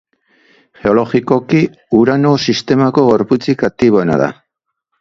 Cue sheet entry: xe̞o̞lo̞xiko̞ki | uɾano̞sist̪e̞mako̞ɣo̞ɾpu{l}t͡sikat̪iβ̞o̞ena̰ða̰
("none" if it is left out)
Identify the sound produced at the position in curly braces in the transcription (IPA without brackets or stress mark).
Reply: none